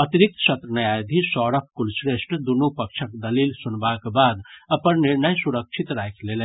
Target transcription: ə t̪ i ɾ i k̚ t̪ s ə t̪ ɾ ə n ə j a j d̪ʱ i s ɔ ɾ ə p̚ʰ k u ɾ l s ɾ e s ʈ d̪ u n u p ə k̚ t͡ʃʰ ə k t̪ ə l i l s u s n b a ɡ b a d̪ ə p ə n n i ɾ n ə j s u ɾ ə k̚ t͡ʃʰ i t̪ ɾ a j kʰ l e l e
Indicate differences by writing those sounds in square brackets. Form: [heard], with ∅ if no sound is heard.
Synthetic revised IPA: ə t̪ i ɾ i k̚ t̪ s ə t̪ ɾ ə n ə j a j d̪ʱ i s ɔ ɾ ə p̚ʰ k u [∅] l s ɾ e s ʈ d̪ u n u p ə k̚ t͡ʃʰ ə k [d̪] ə l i l s u [∅] n b a [k] b a d̪ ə p ə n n i ɾ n ə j s u ɾ ə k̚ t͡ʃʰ i t̪ ɾ a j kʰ l e l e